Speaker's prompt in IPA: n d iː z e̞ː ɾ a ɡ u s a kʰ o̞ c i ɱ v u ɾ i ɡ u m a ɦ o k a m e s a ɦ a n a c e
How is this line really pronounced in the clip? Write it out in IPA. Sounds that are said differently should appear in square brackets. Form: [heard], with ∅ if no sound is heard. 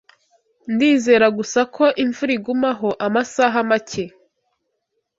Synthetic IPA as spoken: n d iː z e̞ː ɾ a ɡ u s a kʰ o̞ [ʔ] i ɱ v u ɾ i ɡ u m a ɦ o [ʔ] a m [a] s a ɦ a [m] a c e